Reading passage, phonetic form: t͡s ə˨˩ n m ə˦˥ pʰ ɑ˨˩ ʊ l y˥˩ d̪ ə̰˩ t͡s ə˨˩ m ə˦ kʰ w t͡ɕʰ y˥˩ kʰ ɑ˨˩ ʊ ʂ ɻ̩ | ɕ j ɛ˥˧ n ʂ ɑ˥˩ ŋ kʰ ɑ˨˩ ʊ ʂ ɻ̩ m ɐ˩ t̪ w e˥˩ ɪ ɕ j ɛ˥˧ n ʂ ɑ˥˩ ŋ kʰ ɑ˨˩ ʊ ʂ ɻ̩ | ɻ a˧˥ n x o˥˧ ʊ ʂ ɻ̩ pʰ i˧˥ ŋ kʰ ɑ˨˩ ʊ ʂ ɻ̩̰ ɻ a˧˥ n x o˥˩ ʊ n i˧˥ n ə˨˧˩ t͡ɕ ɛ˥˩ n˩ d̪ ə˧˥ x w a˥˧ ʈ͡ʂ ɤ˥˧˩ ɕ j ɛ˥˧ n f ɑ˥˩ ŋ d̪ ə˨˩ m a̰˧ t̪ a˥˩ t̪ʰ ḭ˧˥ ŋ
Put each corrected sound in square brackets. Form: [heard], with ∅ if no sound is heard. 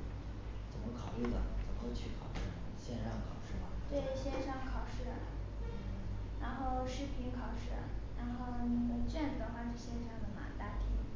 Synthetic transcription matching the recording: t͡s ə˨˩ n m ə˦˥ [kʰ] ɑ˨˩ ʊ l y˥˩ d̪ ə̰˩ t͡s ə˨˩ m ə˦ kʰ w t͡ɕʰ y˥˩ kʰ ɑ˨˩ ʊ ʂ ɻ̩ | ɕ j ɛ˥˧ n ʂ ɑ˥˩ ŋ kʰ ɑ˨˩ ʊ ʂ ɻ̩ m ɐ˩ t̪ w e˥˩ ɪ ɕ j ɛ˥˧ n ʂ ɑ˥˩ ŋ kʰ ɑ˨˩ ʊ ʂ ɻ̩ | ɻ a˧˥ n x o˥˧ ʊ ʂ ɻ̩ pʰ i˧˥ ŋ kʰ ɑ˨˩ ʊ ʂ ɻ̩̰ ɻ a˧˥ n x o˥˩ ʊ n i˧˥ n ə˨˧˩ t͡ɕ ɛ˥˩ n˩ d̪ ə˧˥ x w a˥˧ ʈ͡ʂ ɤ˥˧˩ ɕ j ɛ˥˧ n [ʂ] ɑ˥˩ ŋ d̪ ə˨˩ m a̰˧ t̪ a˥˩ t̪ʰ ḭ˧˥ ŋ